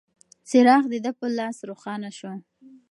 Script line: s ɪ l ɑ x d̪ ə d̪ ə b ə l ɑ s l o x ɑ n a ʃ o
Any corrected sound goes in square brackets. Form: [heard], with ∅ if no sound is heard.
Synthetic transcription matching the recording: s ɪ [ɾ] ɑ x d̪ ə d̪ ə [p] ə l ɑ s [ɾ] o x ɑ n a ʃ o